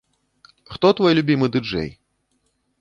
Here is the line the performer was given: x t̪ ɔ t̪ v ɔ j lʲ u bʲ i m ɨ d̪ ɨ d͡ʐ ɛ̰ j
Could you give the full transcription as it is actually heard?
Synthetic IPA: x t̪ ɔ t̪ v ɔ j lʲ u bʲ i m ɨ d̪ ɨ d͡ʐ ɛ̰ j